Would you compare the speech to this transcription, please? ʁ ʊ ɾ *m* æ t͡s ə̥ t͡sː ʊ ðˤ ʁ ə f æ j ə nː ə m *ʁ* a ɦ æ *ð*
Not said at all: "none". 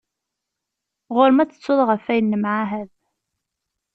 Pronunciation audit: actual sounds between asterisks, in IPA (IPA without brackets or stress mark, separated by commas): m, ʕ, ð